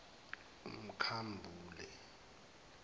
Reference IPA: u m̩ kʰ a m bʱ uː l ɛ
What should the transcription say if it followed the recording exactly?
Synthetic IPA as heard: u m̩ kʰ a m bʱ uː l ɛ